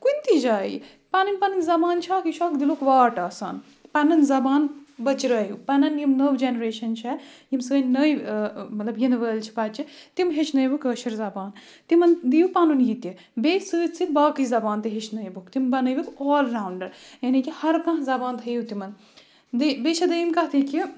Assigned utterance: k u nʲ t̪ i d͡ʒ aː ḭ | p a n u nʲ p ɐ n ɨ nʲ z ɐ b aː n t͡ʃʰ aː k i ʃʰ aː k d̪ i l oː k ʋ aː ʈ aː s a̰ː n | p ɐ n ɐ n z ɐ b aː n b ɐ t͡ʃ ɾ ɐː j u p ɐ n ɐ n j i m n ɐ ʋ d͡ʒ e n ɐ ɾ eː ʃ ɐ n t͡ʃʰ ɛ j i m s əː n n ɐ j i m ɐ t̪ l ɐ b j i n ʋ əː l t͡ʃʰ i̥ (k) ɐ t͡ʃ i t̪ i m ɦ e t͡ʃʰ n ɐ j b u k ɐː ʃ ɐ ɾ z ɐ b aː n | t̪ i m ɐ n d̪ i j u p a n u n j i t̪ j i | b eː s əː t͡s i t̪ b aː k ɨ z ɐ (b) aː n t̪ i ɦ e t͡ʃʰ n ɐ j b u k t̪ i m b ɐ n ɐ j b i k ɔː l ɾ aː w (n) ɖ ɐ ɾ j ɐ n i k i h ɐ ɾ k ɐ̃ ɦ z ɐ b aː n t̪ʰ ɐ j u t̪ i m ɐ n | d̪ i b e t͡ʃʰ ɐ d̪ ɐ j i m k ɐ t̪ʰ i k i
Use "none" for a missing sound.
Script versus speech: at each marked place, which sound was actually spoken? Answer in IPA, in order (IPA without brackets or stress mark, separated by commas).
p, b, ɳ